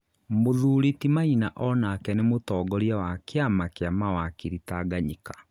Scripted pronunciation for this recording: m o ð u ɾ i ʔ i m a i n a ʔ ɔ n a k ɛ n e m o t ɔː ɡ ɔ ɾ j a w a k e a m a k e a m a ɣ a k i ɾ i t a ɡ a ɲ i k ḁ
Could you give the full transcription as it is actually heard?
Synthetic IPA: m o ð u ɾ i t i m a i n a ʔ ɔ n a k ɛ n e m o t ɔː ɡ ɔ ɾ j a w a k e a m a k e a m a w a k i ɾ i t a ɡ a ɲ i k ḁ